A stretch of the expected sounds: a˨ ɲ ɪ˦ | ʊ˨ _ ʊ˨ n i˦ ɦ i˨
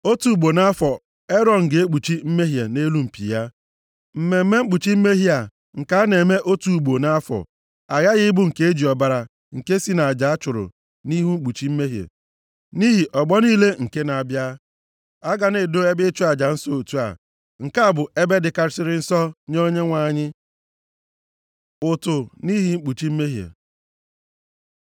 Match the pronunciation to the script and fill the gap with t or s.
t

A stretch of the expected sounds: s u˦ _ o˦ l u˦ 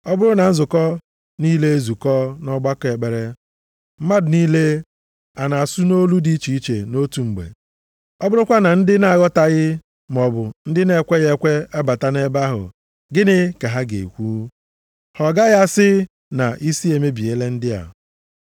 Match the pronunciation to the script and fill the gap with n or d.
n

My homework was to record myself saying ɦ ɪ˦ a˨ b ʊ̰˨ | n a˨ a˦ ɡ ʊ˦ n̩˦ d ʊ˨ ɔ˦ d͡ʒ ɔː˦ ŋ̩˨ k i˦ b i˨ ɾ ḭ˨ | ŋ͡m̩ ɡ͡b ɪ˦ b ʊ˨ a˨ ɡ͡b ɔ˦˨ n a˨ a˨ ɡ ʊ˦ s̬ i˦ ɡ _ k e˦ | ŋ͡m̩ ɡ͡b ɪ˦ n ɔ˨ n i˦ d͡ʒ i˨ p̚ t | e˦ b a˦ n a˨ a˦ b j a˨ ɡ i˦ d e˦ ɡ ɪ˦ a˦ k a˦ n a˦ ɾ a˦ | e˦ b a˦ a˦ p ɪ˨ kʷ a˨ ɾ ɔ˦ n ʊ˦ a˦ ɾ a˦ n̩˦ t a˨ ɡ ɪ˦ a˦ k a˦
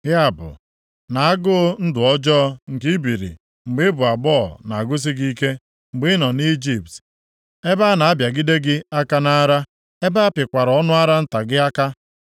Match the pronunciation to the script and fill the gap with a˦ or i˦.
i˦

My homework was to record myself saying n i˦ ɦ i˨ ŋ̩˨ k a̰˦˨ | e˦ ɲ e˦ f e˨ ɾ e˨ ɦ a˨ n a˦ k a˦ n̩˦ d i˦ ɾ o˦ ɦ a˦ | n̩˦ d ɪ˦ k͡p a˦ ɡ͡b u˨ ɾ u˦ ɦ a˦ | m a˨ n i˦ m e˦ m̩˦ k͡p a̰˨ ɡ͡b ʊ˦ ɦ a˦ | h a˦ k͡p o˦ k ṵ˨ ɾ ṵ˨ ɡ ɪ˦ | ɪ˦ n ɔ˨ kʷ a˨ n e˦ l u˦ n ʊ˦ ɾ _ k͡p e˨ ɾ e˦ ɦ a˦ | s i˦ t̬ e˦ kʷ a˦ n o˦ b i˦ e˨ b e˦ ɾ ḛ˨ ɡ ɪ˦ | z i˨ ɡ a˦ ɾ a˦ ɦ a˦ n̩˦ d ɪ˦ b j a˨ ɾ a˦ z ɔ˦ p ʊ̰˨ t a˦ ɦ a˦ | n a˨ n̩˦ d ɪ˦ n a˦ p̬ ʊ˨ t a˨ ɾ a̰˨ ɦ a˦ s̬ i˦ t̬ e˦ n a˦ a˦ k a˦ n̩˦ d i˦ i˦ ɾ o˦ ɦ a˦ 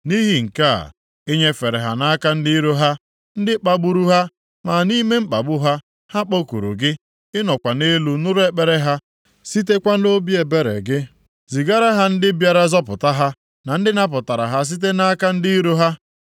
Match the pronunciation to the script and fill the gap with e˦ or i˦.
e˦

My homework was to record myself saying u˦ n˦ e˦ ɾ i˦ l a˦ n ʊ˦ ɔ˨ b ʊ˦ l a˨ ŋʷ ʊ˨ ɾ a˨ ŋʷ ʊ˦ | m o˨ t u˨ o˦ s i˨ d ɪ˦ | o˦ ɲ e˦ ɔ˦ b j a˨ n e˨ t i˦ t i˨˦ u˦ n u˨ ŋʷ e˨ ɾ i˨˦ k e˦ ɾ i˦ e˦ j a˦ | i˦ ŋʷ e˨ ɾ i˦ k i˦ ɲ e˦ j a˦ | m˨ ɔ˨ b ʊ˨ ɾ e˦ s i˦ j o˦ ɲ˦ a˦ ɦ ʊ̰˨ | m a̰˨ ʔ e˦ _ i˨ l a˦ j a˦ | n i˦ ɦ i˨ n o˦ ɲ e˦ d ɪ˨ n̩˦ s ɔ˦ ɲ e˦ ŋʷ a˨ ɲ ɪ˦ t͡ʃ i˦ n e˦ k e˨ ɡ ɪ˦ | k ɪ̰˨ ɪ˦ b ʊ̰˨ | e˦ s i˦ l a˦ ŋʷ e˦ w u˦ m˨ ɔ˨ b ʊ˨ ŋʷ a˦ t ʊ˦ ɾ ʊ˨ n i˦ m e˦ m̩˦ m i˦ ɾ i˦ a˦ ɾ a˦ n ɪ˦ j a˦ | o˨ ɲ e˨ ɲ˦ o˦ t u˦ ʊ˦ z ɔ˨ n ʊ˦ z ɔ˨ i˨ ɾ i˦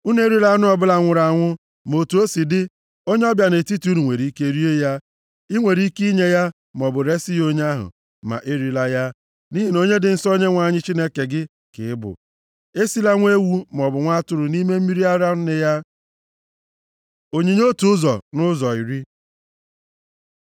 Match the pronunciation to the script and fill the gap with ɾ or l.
ɾ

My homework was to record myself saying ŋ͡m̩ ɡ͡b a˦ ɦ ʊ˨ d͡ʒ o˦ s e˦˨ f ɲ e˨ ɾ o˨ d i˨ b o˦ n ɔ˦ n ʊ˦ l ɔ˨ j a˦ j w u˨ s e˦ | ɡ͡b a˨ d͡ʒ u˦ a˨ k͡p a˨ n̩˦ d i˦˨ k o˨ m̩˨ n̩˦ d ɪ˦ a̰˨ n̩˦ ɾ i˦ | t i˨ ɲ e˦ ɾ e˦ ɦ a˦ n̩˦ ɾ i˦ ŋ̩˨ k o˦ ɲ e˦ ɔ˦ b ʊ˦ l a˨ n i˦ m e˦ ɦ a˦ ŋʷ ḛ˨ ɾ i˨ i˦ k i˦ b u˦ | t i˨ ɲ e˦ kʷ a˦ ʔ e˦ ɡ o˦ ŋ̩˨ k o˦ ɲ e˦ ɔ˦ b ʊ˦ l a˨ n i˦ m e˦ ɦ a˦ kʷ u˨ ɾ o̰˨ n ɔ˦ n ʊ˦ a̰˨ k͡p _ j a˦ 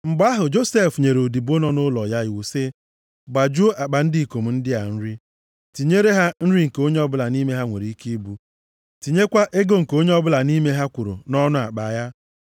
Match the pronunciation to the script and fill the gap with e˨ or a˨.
a˨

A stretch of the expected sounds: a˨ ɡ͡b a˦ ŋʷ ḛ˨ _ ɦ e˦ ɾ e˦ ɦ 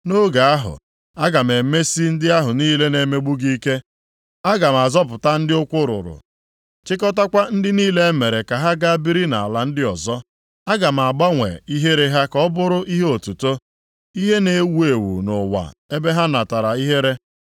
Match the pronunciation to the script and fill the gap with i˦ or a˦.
i˦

